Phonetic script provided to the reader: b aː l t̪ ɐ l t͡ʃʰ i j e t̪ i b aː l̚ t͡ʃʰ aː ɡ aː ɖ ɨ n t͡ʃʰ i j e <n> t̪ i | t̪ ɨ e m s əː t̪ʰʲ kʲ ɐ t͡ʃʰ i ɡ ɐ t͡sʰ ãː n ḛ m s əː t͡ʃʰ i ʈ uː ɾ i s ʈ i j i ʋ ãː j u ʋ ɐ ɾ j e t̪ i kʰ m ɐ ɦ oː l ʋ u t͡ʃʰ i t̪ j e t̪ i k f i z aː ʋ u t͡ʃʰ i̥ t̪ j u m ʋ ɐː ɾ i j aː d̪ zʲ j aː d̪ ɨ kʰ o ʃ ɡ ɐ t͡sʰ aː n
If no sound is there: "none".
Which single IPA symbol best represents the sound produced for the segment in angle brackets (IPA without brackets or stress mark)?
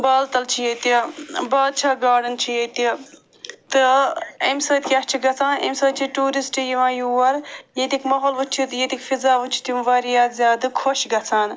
none